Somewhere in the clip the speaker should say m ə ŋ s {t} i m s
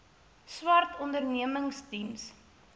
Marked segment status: correct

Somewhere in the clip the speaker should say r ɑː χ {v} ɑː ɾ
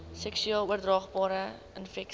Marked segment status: incorrect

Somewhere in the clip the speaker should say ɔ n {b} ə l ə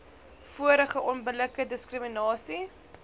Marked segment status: correct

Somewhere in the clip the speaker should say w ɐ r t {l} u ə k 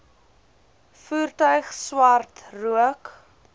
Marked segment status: incorrect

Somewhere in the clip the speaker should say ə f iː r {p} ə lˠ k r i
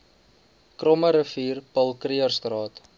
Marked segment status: correct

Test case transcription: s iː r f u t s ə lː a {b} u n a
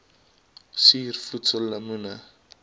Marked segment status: incorrect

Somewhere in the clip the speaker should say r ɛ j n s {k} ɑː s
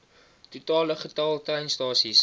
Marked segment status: incorrect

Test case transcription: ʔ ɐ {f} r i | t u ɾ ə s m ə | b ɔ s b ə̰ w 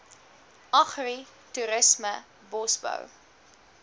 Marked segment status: incorrect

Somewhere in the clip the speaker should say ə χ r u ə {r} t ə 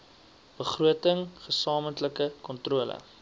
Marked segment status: incorrect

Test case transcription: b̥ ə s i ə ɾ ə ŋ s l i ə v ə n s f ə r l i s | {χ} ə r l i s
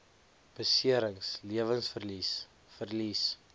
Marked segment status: incorrect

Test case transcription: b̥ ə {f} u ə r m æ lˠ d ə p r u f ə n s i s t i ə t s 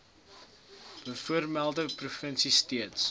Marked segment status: correct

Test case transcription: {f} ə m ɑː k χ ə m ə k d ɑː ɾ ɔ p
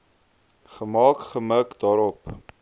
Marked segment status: incorrect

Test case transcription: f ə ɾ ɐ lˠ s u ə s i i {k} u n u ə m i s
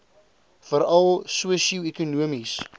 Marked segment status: correct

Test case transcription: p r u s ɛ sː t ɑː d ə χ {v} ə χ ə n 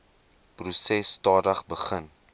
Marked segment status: incorrect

